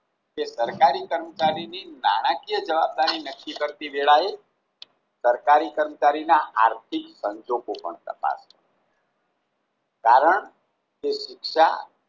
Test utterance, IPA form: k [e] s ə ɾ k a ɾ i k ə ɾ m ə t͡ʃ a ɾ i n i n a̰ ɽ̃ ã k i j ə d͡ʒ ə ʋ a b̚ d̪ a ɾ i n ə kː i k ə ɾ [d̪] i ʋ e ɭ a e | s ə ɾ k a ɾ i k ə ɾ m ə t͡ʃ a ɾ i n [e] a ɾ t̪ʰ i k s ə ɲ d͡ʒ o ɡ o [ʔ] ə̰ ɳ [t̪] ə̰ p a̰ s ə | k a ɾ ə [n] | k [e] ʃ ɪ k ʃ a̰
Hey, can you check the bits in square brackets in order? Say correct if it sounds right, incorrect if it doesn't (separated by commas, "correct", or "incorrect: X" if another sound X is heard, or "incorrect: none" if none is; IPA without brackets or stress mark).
correct, incorrect: t̪, incorrect: a, incorrect: p, correct, incorrect: ɳ, correct